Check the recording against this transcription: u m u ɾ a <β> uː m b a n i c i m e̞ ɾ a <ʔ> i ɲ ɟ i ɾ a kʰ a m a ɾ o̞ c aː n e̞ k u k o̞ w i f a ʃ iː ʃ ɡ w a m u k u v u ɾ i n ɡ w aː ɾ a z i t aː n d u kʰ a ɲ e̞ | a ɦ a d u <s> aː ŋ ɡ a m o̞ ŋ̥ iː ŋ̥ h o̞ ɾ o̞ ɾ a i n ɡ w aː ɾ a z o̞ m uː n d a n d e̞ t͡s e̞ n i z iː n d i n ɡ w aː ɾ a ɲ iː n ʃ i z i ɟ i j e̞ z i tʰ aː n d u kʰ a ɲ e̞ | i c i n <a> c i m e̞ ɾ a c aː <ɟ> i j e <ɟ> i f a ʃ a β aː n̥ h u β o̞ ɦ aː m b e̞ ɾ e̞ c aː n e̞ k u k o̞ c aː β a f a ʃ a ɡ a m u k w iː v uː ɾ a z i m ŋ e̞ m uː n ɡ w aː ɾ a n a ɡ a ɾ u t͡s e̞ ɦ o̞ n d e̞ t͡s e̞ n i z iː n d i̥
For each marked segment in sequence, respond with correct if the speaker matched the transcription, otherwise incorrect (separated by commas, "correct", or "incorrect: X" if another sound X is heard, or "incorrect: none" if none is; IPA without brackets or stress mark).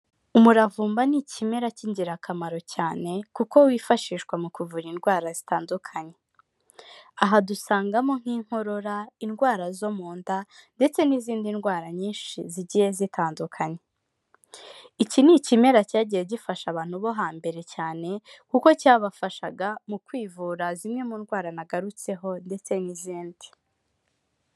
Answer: incorrect: v, incorrect: c, correct, incorrect: i, correct, correct